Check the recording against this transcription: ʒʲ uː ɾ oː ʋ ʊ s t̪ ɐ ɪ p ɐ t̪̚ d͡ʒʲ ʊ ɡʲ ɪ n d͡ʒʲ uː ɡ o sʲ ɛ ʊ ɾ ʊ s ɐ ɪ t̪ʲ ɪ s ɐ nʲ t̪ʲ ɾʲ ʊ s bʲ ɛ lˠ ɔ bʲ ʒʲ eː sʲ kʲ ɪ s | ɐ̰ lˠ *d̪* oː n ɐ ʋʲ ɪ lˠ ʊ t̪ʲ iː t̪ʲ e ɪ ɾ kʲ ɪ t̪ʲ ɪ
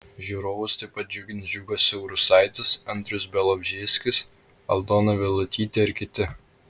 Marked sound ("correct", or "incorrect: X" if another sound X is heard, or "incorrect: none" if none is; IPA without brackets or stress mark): correct